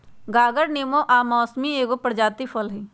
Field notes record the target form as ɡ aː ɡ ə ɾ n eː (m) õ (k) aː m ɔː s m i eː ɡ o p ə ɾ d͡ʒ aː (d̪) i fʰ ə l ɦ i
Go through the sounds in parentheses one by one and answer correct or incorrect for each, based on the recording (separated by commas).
correct, incorrect, incorrect